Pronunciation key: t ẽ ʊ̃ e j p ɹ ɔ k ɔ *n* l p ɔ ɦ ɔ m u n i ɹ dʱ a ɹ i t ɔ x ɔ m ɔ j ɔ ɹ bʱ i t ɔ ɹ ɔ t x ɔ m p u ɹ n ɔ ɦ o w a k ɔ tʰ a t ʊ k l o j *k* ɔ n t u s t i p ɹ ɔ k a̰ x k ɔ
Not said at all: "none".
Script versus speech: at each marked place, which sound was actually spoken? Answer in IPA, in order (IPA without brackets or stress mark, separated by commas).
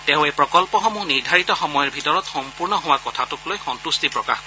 none, x